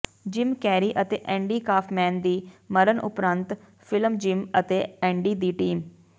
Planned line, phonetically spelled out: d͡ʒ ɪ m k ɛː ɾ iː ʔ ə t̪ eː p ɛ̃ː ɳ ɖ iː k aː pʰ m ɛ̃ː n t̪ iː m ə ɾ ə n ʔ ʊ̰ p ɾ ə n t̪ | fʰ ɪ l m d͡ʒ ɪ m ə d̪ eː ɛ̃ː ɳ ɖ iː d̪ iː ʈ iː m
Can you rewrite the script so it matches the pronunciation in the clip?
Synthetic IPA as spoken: d͡ʒ ɪ m k ɛː ɾ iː ʔ ə t̪ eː ʔ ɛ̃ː ɳ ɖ iː k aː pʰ m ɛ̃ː n d̪ iː m ə ɾ ə n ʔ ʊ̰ p ɾ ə n t̪ | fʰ ɪ l m d͡ʒ ɪ m ə t̪ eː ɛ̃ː ɳ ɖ iː d̪ iː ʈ iː m